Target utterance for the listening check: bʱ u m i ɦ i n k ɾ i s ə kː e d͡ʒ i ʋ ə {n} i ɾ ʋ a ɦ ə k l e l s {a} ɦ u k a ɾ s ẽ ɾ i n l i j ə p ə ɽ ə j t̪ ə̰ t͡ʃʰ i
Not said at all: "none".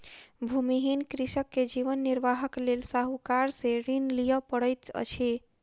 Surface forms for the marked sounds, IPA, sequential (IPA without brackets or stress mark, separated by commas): nː, a